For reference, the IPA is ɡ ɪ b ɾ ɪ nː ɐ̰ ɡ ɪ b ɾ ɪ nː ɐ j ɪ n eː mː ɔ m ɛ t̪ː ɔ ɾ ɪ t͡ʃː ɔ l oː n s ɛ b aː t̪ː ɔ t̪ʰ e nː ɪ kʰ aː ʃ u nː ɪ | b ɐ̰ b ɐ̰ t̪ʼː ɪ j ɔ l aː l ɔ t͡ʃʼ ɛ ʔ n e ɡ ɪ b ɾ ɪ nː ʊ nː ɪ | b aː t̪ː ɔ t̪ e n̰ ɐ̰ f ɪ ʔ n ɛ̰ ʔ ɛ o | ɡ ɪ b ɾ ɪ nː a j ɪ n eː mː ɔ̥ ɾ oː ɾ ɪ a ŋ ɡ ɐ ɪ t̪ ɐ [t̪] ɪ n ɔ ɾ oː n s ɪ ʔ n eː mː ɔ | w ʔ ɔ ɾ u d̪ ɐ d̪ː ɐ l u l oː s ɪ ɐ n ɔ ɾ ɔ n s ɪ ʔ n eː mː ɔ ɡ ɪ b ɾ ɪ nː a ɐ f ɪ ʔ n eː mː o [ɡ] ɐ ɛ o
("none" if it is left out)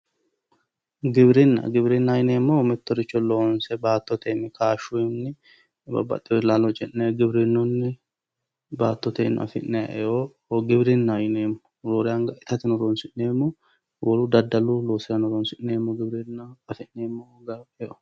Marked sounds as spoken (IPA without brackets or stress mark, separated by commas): t̪, ɡ